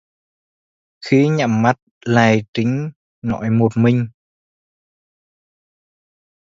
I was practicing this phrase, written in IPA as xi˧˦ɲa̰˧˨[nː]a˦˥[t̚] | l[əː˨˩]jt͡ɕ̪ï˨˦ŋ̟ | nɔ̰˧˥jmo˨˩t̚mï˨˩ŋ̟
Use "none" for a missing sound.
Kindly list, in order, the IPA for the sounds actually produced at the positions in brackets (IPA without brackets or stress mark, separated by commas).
mː, t̚, aː˨˩